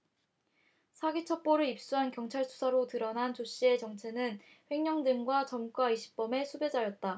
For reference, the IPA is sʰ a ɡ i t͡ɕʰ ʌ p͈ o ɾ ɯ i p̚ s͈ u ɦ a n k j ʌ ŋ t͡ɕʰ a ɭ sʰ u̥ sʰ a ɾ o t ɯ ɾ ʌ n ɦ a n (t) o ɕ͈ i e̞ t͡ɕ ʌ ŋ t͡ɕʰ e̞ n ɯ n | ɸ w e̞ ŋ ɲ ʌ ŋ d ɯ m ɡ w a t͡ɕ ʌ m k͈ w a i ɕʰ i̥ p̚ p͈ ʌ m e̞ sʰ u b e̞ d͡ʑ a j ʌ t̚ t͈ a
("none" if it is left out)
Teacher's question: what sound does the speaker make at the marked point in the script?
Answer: t͡ɕ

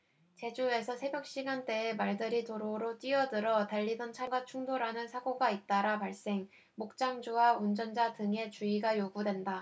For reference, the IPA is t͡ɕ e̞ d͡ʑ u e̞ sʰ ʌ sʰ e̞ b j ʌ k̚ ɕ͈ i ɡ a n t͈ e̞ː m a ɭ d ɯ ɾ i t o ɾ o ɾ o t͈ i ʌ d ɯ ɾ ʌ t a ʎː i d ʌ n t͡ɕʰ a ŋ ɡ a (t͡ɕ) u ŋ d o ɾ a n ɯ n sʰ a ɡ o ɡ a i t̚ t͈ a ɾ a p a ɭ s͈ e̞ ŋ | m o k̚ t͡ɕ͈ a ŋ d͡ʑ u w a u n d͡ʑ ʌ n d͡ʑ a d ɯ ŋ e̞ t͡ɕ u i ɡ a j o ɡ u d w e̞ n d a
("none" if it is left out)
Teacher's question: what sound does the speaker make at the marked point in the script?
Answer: t͡ɕʰ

